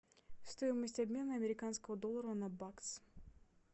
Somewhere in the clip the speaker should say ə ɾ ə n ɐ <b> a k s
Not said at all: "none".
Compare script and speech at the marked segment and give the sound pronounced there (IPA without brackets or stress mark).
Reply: b